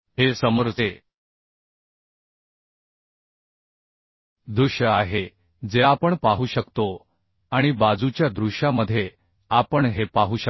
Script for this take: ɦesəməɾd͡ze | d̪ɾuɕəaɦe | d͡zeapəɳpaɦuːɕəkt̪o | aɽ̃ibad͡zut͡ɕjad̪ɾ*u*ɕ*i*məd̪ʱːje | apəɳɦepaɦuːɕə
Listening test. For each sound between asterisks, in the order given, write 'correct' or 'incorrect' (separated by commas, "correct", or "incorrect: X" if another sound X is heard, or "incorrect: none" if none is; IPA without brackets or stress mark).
correct, incorrect: a